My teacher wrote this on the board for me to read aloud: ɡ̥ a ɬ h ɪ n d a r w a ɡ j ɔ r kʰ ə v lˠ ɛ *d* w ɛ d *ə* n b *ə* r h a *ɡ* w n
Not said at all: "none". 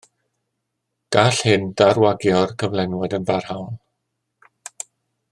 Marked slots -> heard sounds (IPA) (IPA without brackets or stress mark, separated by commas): n, ə, a, none